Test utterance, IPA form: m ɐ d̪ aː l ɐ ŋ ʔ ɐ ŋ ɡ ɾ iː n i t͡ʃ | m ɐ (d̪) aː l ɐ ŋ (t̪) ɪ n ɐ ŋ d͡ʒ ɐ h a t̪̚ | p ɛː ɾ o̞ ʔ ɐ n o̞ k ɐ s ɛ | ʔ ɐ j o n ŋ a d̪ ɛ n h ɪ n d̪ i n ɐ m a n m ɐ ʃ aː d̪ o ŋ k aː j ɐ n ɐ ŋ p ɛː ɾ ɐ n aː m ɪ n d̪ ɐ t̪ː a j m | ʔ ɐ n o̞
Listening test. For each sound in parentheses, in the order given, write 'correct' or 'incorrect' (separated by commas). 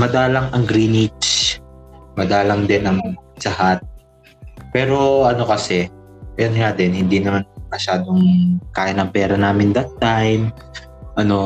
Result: correct, incorrect